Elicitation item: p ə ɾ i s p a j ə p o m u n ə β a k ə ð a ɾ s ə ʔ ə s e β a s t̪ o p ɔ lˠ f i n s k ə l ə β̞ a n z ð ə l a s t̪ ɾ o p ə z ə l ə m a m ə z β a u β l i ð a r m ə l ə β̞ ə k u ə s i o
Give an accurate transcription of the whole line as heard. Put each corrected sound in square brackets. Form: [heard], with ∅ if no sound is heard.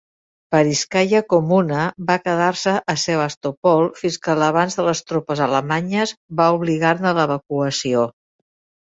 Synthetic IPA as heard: p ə ɾ i s [k] a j ə [k] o m u n ə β a k ə ð a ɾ s ə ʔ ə s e β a s t̪ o p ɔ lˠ f i n s k ə l ə β̞ a n z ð ə l [ə] s t̪ ɾ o p ə z ə l ə m a [ɲ] ə z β a u β l i [ɣ] a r [n] ə l ə β̞ ə k u ə s i o